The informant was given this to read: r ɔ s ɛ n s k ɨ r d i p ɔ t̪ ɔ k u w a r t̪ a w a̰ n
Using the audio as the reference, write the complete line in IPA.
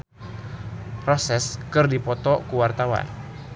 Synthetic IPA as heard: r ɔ s ɛ s k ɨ r d i p ɔ t̪ ɔ k u w a r t̪ a w a̰ n